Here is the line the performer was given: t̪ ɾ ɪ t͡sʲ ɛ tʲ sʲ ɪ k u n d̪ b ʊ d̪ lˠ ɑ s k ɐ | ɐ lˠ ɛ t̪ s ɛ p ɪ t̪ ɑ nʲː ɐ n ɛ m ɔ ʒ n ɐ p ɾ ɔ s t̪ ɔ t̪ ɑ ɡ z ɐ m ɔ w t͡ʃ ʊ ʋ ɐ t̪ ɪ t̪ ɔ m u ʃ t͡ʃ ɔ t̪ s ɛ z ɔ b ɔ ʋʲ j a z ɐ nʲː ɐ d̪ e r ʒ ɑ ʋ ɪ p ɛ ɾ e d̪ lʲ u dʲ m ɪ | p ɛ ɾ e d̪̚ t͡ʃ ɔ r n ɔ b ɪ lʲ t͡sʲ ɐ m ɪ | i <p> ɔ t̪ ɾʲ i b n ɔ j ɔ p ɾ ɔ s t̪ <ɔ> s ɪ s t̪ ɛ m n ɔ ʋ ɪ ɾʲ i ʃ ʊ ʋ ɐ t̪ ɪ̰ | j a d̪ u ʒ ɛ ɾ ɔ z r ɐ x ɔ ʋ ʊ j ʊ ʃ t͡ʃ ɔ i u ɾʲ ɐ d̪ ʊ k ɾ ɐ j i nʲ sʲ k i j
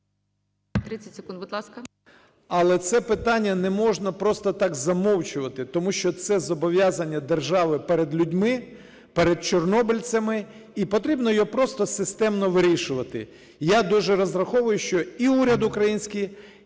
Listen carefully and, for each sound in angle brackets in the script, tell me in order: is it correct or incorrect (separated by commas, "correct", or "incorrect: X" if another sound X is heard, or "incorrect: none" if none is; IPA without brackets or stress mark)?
correct, correct